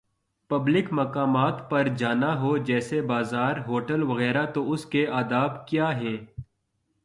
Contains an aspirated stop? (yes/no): no